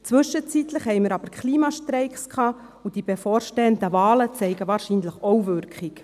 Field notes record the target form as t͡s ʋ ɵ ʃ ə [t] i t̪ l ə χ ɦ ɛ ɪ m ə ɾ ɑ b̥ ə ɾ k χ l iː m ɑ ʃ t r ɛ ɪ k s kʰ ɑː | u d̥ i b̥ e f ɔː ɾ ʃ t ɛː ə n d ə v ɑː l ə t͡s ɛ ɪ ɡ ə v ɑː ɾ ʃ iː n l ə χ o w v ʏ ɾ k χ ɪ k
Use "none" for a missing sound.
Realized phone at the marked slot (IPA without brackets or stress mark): t͡s